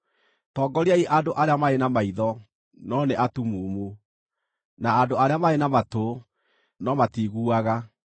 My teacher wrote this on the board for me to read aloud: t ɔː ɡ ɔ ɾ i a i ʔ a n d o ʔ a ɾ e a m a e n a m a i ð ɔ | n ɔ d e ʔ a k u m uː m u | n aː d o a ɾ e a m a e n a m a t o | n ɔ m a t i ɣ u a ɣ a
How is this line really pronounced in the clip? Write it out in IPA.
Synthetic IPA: t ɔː ɡ ɔ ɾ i a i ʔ a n d o ʔ a ɾ e a m a e n a m a i ð ɔ | n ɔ n e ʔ a t u m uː m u | n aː d o a ɾ e a m a e n a m a t o | n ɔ m a t i ɣ u a ɣ a